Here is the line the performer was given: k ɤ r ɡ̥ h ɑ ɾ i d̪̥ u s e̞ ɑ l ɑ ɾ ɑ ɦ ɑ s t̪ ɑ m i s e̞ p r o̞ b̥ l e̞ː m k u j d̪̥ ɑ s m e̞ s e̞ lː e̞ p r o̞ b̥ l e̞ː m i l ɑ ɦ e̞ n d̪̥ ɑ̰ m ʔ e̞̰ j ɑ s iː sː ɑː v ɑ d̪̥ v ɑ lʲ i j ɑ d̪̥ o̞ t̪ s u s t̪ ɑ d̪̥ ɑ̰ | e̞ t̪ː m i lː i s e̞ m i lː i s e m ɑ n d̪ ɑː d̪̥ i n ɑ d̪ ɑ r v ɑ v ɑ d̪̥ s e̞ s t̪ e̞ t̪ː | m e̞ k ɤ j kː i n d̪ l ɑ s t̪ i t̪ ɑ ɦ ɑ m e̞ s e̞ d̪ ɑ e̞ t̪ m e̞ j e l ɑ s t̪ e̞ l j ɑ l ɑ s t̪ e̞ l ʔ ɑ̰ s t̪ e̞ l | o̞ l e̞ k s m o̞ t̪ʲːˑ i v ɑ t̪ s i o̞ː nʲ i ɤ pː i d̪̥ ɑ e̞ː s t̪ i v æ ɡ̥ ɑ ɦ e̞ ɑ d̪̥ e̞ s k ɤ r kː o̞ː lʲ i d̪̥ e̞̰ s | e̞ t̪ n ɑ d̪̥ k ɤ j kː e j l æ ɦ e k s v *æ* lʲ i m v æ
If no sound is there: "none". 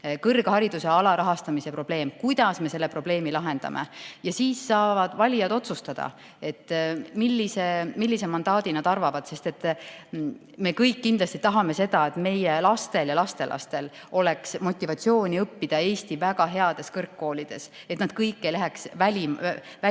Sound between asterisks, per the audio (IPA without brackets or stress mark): æ